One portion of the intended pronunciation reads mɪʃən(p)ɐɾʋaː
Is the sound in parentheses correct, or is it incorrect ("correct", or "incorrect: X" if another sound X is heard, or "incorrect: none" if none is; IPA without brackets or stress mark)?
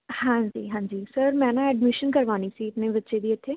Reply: incorrect: k